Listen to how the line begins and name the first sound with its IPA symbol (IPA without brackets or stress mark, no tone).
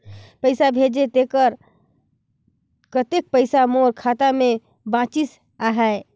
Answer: p